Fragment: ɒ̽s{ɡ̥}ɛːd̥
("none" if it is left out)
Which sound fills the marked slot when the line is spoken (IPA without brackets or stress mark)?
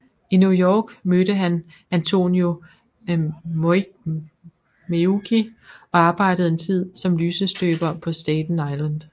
d̥